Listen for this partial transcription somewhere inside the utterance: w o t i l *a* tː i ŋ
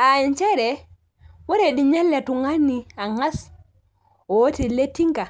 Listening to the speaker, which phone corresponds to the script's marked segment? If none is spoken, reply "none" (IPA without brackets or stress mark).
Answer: e